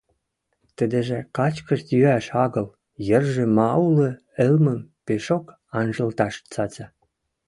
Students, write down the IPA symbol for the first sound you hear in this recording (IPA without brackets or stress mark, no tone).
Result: t̪